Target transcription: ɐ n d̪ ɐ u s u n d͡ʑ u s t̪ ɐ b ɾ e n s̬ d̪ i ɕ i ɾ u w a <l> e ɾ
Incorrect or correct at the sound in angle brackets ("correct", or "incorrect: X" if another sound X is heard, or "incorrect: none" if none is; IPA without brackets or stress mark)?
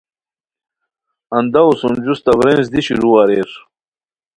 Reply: incorrect: ɾ